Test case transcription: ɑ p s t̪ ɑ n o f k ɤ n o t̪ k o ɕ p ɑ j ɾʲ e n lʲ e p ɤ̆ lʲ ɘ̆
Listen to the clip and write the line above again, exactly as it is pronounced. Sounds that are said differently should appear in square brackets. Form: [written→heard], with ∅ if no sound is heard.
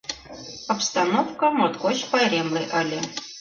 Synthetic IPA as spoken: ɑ p s t̪ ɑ n o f k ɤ [n→m] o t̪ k o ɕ p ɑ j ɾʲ e [n→m] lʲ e [p→ʔ] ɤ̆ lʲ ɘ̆